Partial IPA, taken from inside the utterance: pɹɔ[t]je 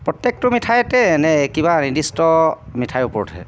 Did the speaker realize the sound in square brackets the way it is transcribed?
yes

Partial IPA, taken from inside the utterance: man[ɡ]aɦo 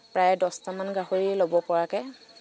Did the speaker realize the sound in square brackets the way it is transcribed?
yes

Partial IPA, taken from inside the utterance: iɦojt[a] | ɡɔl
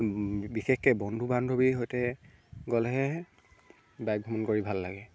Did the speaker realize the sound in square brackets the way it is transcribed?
no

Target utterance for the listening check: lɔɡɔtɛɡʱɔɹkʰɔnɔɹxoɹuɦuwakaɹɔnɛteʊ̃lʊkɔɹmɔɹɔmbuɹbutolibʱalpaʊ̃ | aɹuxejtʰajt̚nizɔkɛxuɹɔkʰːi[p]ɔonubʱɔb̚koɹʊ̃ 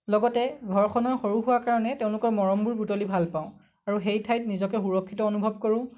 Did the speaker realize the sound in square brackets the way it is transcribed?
no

